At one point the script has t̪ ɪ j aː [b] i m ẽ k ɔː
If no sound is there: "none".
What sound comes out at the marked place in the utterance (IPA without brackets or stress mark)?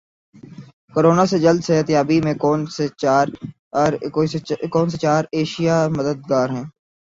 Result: b